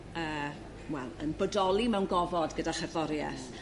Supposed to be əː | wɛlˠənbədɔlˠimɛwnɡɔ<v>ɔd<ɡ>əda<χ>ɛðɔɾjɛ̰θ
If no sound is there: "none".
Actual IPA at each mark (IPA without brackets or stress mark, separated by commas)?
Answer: v, ɡ, χ